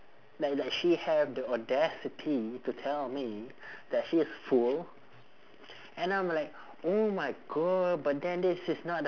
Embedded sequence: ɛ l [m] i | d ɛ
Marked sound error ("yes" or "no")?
no